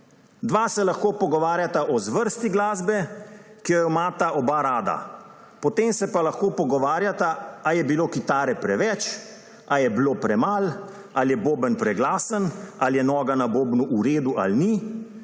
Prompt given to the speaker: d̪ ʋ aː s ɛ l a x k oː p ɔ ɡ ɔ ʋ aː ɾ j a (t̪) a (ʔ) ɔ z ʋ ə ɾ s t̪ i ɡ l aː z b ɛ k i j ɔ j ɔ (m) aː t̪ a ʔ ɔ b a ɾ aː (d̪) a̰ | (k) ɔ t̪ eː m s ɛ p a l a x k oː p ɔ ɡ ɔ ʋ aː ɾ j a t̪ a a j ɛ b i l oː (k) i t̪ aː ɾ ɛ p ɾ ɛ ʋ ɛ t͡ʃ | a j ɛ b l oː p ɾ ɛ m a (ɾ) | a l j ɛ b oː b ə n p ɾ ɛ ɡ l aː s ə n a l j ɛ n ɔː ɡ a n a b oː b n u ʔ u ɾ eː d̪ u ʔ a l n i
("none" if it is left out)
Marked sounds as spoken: t̪, ʔ, m, d̪, p, k, l

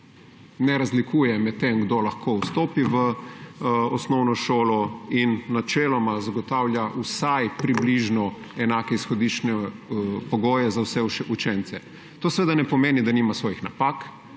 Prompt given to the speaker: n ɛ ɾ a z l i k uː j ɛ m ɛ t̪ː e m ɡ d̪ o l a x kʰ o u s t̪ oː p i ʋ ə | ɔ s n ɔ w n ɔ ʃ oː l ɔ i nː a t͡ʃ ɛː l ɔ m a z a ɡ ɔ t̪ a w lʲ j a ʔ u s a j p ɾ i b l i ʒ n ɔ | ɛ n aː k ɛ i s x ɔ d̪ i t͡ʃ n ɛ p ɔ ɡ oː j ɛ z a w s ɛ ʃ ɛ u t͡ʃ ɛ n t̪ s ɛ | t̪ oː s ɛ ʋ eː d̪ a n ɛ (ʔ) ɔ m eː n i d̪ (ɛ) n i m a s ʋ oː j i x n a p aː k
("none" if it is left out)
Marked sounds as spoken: p, a

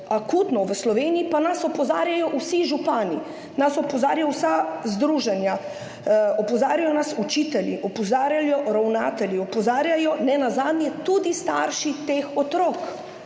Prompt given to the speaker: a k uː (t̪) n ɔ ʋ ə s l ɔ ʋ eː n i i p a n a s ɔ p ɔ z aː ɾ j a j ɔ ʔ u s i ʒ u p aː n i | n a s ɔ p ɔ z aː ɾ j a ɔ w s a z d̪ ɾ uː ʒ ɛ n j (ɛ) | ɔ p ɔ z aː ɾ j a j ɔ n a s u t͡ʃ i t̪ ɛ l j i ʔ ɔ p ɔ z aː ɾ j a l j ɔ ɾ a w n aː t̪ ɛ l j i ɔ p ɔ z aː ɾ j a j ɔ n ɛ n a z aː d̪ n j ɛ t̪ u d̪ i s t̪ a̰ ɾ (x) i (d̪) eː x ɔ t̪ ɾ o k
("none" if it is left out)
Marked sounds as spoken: t̪, a, ʃ, t̪

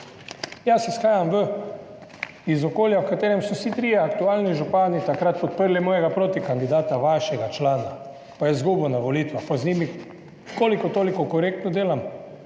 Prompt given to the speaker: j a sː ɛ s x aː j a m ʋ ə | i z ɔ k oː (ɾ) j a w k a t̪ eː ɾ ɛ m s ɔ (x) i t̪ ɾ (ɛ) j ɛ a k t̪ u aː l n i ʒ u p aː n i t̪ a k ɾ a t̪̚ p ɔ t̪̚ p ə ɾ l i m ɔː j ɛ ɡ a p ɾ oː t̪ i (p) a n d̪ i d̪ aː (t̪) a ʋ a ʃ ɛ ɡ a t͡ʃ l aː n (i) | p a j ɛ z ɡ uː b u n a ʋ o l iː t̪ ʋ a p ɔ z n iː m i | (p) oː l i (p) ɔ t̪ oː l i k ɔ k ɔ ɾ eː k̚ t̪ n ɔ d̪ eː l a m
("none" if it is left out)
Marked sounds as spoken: l, s, i, k, t̪, a, k, k

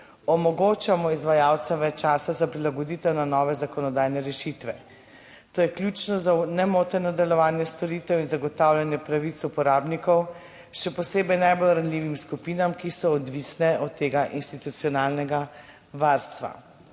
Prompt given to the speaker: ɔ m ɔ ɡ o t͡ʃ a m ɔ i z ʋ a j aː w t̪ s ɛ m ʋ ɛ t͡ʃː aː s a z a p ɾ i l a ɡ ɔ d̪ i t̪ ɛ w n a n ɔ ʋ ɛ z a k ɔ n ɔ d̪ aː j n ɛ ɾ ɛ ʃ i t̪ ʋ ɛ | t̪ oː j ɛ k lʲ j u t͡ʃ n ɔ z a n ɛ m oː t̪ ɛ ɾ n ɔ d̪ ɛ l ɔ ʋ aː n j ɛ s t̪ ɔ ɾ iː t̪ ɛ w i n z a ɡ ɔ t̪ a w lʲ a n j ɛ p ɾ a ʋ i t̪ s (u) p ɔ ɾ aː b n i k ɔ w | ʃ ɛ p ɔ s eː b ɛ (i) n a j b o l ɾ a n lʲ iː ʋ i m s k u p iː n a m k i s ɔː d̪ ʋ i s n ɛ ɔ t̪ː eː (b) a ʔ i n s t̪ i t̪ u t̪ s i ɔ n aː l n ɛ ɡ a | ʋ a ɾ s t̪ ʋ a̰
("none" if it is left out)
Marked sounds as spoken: u, j, ɡ

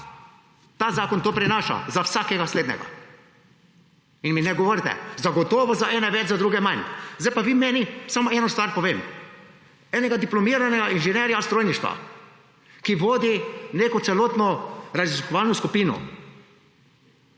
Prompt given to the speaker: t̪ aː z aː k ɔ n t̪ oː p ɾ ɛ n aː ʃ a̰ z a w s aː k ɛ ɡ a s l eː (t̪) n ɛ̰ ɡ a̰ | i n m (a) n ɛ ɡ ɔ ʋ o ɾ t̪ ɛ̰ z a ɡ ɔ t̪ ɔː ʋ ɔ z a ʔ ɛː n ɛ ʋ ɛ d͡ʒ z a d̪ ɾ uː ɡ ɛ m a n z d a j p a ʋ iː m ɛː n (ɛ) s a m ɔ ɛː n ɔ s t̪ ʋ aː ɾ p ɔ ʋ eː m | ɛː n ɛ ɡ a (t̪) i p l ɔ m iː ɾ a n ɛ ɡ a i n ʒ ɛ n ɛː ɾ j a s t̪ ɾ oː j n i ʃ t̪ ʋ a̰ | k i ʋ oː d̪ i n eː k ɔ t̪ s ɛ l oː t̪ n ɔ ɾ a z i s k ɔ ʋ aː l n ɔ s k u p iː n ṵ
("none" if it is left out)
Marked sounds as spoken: d̪, i, i, d̪

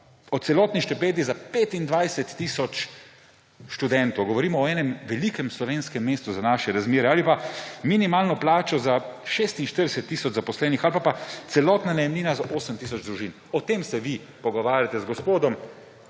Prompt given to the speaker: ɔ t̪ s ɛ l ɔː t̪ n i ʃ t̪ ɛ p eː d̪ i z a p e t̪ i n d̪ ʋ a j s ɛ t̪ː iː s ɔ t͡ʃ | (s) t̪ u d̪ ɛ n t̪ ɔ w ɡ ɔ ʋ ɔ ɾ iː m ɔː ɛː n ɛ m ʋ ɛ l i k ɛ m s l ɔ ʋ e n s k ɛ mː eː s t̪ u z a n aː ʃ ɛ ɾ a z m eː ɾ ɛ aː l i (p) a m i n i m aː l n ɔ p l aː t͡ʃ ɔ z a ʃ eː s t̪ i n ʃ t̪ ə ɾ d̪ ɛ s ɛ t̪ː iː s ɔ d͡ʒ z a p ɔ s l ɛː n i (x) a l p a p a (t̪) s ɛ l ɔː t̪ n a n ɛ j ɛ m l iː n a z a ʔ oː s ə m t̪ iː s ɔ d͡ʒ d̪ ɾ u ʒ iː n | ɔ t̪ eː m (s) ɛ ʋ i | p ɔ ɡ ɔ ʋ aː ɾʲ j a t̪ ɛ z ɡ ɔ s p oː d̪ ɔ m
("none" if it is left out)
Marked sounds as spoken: ʃ, p, x, t̪, s

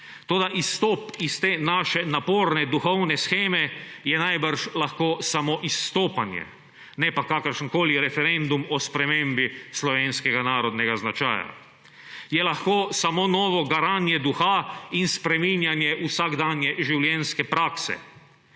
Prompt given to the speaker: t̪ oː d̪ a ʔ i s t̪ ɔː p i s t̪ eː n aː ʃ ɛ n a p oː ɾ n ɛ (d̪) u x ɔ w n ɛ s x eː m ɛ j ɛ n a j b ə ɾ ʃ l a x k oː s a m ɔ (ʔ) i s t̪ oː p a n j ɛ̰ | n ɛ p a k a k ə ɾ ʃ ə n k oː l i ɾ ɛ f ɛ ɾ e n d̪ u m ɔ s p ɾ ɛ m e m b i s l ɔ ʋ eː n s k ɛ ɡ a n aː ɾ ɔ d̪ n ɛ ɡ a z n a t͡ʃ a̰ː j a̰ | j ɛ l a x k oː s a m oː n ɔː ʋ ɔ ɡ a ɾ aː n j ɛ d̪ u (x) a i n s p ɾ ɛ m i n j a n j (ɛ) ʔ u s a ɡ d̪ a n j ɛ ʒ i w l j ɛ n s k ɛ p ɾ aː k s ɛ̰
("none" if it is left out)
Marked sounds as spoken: d̪, ʔ, x, ɛ

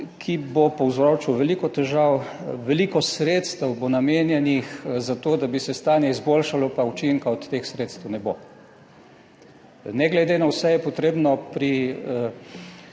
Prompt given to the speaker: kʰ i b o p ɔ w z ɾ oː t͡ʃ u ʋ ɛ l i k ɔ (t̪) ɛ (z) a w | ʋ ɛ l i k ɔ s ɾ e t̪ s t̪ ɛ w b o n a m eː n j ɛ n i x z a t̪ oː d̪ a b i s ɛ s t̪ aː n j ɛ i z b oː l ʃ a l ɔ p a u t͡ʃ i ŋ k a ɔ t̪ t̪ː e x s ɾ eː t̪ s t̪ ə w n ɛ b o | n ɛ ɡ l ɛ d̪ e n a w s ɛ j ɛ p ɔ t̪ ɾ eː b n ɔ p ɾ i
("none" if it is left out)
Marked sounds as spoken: t̪, ʒ

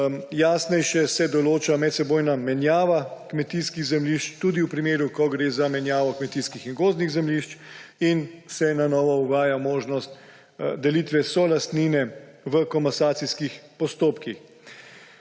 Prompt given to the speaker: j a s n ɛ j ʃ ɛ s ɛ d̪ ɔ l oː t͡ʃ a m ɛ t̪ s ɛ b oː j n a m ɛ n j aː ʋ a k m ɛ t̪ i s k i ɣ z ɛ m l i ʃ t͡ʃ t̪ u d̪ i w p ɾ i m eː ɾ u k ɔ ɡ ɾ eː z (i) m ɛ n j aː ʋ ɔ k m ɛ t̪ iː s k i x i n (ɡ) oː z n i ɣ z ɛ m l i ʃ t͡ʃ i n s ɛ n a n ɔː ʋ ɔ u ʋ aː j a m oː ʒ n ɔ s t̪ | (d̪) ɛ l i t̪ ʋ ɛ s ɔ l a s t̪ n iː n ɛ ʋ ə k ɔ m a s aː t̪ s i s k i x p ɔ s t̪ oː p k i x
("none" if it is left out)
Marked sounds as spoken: a, ɡ, d̪

